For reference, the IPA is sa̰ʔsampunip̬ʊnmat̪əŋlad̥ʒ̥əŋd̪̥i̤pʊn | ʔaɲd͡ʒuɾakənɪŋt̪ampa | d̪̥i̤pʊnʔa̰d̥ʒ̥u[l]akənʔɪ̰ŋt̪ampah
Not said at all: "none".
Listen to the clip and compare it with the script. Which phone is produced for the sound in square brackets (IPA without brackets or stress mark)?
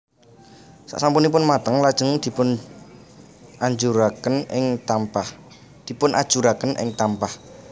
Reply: ɾ